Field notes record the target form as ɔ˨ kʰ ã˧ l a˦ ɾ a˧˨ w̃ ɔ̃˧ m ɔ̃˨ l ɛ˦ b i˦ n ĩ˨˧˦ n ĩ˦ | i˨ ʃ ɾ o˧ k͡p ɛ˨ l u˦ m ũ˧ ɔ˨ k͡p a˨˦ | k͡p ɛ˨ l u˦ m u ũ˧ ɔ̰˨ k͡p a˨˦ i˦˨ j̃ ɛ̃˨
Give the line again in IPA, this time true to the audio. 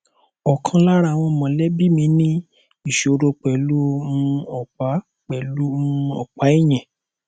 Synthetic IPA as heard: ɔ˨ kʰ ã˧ l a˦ ɾ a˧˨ w̃ ɔ̃˧ m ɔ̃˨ l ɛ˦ b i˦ m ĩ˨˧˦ n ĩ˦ | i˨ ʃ ɾ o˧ k͡p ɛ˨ l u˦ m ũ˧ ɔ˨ k͡p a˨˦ | k͡p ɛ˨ l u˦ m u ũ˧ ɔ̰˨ k͡p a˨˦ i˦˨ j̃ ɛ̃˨

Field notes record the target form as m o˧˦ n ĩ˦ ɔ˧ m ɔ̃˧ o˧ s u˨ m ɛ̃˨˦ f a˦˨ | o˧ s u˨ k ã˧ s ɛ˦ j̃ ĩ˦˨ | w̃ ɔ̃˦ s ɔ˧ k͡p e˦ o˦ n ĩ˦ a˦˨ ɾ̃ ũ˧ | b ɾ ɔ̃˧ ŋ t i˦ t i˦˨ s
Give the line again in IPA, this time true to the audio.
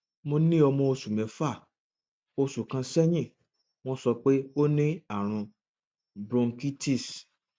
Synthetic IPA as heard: m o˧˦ n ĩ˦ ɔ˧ m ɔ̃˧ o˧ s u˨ m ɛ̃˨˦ f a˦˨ | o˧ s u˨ k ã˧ s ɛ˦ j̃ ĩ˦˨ | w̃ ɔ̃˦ s ɔ˧ k͡p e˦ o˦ n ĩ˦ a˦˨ ɾ̃ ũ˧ | b ɾ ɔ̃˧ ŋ k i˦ t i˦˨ s

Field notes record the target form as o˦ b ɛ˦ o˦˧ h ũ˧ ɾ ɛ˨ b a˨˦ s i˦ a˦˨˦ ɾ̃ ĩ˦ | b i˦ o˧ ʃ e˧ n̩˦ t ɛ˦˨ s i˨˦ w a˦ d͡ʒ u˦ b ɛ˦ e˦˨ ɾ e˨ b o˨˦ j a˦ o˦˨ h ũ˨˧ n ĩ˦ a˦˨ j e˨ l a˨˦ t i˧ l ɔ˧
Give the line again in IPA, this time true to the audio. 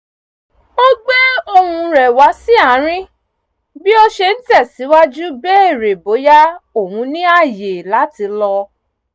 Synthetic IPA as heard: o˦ ɡ͡b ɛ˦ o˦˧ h ũ˧ ɾ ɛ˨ w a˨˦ s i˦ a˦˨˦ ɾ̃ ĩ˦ | b i˦ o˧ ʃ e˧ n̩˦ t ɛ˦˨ s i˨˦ w a˦ d͡ʒ u˦ b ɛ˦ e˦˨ ɾ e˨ b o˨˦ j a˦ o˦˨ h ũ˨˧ n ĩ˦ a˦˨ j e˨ l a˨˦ t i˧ l ɔ˧

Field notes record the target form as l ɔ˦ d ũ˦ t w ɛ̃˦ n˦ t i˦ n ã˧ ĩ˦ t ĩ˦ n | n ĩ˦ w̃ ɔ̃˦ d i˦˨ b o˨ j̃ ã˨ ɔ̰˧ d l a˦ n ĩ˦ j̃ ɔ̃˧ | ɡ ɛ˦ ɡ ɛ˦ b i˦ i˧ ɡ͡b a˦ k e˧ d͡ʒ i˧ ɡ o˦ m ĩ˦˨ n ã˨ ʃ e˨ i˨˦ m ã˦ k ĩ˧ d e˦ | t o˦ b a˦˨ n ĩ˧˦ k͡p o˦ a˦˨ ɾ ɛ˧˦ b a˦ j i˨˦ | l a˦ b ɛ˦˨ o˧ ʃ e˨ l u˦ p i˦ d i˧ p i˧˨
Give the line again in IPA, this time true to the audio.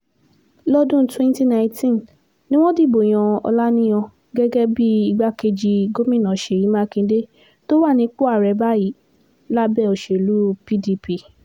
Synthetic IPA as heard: l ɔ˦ d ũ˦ t w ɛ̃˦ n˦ t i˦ n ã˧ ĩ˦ t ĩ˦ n | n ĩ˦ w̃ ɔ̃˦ d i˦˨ b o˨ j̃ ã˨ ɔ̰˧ l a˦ n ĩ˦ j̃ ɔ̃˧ | ɡ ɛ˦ ɡ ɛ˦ b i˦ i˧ ɡ͡b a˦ k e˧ d͡ʒ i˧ ɡ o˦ m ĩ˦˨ n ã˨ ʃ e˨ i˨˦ m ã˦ k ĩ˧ d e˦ | t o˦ w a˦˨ n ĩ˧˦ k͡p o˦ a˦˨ ɾ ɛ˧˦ b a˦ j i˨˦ | l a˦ b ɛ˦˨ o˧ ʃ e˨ l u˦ p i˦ d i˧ p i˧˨

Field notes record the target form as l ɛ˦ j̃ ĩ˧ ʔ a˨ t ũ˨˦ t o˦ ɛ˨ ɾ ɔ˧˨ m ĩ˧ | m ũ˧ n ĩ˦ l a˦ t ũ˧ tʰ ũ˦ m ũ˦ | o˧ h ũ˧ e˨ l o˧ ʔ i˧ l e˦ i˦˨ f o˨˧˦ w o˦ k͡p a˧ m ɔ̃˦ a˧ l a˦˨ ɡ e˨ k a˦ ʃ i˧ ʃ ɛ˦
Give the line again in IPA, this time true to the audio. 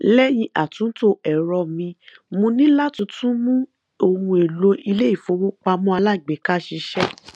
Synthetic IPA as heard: l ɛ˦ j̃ ĩ˧ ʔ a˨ t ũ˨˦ t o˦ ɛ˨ ɾ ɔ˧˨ m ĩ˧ | m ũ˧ n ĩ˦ l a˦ t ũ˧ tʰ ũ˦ m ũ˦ | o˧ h ũ˧ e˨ l o˧ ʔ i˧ l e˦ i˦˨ f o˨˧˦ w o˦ k͡p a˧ m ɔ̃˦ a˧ l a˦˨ ɡ͡b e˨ k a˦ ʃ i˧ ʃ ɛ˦

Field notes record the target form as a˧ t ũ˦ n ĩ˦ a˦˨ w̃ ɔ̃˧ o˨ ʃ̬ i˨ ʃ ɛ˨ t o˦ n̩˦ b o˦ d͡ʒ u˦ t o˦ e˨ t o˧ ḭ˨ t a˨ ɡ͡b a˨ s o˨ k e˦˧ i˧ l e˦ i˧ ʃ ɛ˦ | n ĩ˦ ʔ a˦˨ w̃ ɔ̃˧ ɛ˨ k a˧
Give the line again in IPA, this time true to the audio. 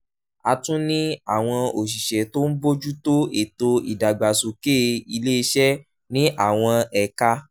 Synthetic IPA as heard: a˧ t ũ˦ n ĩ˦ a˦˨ w̃ ɔ̃˧ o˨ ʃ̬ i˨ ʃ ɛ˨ t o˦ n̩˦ b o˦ d͡ʒ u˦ t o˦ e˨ t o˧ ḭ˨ d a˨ ɡ͡b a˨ s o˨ k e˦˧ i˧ l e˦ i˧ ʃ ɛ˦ | n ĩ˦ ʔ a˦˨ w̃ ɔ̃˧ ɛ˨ k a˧

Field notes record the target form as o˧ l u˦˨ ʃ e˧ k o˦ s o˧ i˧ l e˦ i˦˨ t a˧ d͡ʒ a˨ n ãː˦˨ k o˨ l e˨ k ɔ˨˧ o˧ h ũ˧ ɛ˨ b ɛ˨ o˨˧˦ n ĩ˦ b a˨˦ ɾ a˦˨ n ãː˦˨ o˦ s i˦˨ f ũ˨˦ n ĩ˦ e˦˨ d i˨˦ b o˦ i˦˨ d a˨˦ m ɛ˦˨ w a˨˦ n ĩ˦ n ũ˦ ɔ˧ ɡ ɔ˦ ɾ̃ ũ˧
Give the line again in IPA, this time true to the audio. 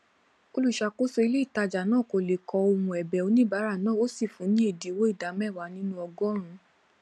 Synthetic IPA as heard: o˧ l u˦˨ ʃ a˧ k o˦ s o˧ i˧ l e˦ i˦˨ t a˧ d͡ʒ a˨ n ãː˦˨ k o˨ l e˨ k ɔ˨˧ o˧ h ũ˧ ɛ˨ b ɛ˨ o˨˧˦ n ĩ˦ b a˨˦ ɾ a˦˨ n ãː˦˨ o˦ s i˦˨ f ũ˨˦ n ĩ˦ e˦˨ d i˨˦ w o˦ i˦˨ d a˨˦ m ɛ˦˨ w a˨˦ n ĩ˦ n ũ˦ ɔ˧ ɡ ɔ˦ ɾ̃ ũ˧

